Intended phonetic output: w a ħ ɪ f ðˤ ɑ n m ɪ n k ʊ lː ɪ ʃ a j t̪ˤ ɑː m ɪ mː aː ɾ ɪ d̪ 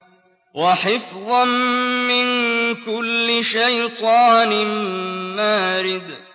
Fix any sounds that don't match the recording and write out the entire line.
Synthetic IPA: w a ħ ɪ f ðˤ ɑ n m ɪ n k ʊ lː ɪ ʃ a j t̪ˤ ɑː n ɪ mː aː ɾ ɪ d̪